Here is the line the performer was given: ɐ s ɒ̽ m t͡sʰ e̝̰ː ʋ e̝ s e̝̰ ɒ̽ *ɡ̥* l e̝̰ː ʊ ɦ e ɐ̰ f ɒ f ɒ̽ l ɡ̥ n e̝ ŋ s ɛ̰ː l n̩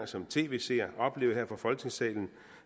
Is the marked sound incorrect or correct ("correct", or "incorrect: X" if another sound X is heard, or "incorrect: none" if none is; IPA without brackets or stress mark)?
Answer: incorrect: b̥